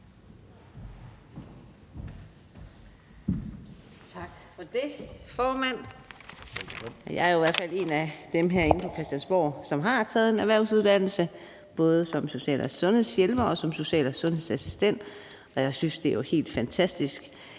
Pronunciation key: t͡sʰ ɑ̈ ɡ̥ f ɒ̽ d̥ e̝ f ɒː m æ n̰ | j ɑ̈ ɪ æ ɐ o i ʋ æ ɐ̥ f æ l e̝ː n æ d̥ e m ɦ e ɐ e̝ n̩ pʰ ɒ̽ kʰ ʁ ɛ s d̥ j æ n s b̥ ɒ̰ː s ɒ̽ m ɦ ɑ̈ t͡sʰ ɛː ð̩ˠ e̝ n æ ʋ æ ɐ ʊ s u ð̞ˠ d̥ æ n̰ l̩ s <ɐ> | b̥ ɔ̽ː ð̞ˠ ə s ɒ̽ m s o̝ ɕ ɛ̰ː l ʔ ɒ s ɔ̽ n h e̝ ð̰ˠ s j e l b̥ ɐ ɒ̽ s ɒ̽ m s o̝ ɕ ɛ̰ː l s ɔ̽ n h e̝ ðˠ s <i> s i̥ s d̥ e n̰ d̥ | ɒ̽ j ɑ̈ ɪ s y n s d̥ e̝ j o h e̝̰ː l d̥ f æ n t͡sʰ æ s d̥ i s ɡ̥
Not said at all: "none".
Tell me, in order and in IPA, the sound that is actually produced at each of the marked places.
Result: ə, æ

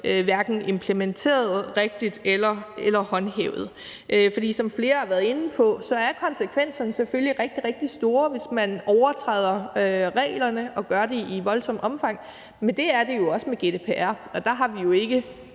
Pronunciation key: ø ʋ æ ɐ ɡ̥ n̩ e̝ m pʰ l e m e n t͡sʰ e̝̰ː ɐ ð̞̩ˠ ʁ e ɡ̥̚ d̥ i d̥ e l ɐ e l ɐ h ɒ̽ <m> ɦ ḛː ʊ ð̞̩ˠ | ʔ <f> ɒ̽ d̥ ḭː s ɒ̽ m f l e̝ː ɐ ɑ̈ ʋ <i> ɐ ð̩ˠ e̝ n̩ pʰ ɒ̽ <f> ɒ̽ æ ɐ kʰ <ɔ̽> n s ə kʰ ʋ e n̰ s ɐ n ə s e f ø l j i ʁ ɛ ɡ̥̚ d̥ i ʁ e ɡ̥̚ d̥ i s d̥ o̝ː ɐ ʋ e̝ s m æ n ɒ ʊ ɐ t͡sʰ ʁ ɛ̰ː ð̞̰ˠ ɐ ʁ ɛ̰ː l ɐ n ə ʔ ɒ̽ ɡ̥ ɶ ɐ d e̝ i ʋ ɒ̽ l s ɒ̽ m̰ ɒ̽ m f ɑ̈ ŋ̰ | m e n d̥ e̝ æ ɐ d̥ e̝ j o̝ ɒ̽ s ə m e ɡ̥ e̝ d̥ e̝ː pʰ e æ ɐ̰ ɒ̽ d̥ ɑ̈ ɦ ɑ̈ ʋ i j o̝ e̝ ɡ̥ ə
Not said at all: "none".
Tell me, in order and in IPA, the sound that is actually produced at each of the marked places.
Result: n, f, æ, s, ɒ̽

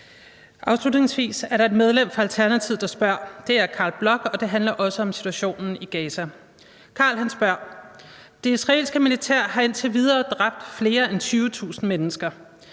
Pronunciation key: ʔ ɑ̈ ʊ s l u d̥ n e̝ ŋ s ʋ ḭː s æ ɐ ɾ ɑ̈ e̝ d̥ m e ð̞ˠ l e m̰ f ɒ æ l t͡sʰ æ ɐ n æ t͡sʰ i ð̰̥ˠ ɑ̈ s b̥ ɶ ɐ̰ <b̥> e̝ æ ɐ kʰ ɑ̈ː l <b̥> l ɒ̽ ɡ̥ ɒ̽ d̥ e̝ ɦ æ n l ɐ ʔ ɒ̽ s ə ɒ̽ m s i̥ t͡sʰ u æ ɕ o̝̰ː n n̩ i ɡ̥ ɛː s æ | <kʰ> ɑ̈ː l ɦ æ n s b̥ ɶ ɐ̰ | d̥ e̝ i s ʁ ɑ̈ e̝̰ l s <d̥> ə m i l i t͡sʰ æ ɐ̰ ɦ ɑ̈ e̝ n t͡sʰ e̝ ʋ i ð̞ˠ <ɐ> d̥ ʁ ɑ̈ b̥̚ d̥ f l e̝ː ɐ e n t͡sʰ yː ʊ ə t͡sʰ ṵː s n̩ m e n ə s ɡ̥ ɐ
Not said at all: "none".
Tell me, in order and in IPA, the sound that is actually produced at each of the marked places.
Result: d̥, b̥, kʰ, ɡ̥, ɐː

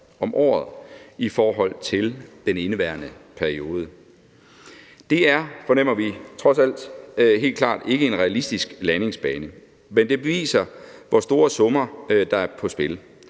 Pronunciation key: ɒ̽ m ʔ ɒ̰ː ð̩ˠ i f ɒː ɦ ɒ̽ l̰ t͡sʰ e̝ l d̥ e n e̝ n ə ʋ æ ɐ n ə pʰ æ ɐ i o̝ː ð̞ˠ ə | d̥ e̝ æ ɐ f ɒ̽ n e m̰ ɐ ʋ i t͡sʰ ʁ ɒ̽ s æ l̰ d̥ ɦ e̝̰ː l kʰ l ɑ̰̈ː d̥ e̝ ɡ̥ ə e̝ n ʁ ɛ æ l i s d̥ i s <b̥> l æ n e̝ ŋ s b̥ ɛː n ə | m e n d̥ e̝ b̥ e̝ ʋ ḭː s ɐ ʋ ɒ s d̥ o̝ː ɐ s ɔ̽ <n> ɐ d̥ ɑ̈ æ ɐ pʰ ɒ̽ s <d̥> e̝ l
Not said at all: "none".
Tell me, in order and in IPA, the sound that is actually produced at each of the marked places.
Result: ɡ̥, m, b̥

